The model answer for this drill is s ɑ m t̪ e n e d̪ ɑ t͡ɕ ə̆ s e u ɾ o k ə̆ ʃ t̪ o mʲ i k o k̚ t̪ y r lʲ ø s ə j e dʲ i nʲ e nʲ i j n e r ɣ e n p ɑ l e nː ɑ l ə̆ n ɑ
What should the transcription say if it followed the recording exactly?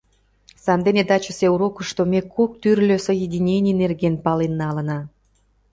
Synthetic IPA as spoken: s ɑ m d̪ e n e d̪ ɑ t͡ɕ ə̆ s e u ɾ o k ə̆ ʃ t̪ o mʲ e k o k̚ t̪ y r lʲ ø s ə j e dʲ i nʲ e nʲ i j n e r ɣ e n p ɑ l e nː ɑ l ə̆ n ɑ